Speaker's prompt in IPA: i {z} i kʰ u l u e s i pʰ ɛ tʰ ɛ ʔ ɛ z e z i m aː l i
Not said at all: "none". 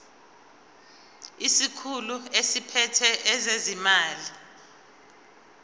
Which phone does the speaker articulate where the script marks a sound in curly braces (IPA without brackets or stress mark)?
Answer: s